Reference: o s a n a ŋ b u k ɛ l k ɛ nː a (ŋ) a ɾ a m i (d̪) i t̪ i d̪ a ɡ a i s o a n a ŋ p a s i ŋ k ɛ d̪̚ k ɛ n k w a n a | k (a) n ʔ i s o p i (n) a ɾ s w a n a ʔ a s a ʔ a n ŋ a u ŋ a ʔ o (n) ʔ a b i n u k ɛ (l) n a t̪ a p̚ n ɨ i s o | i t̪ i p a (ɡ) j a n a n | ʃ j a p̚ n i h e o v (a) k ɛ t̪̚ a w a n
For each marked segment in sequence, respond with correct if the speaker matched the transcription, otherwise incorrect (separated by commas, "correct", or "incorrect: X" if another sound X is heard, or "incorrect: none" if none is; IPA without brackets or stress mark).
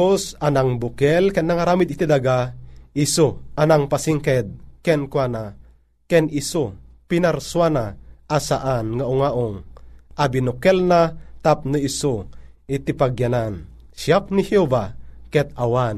correct, correct, incorrect: ɛ, correct, incorrect: ŋ, correct, correct, correct